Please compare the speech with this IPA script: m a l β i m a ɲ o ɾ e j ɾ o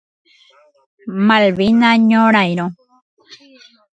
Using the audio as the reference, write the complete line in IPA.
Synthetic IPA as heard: m a l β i n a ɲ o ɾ a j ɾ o